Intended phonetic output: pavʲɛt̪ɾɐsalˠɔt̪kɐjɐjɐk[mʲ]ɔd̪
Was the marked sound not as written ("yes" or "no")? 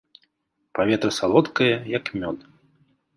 no